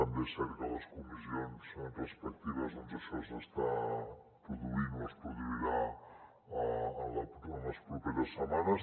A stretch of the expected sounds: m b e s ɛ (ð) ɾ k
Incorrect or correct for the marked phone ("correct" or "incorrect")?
incorrect